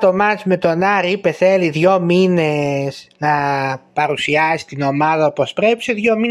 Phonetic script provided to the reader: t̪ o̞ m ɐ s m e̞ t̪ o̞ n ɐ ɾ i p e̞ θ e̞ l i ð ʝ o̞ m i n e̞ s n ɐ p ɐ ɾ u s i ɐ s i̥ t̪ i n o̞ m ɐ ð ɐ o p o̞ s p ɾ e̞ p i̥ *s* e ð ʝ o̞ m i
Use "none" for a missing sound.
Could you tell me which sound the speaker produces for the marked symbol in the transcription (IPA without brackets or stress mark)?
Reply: s